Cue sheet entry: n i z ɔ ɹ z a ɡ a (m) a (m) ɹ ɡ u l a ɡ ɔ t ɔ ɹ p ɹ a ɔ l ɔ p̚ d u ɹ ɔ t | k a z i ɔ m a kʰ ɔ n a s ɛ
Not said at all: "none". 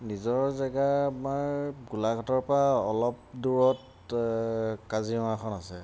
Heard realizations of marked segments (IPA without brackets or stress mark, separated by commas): m, none